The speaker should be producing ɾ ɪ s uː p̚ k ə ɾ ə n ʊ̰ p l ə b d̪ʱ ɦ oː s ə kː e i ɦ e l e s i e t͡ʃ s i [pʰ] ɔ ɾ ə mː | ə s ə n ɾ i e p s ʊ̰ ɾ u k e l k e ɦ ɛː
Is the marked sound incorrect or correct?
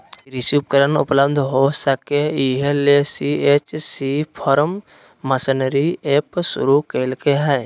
correct